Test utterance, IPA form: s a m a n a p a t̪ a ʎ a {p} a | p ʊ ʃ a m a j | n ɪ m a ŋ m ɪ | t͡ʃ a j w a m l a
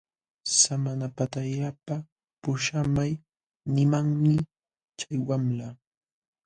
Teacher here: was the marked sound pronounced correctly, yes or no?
yes